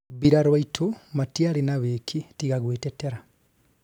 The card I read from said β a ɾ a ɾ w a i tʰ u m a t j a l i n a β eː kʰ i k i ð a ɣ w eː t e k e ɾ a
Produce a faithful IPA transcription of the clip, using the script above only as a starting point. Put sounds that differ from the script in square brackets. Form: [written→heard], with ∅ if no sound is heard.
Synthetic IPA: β [a→i] ɾ a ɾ w a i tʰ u m a t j a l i n a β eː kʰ i [k→t] i [ð→ɣ] a ɣ w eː t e [k→t] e ɾ a